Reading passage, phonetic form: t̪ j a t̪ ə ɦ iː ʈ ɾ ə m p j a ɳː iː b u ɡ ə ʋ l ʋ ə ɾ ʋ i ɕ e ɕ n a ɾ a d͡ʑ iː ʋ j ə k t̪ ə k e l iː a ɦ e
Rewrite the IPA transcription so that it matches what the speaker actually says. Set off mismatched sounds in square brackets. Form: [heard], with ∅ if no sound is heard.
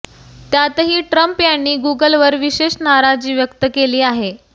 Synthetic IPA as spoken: t̪ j a t̪ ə ɦ iː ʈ ɾ ə m p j a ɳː iː [ɡ] u ɡ ə [∅] l ʋ ə ɾ ʋ i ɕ e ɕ n a ɾ a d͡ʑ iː ʋ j ə k t̪ ə k e l iː a ɦ e